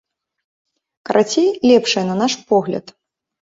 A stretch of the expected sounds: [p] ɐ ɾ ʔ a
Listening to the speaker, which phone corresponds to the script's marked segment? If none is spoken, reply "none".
k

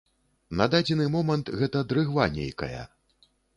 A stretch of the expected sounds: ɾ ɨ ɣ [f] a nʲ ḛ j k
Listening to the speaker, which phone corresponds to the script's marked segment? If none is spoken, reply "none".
v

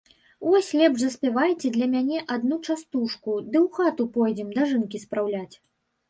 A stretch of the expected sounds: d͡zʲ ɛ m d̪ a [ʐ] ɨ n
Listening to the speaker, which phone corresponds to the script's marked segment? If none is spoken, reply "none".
ʐ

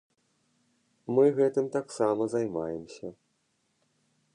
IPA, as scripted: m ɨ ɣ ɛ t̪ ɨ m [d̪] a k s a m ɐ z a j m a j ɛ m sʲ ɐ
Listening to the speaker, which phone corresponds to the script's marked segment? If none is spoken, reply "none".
t̪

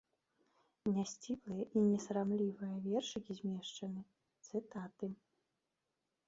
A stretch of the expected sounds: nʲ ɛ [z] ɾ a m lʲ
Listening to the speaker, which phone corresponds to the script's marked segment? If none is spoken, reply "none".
s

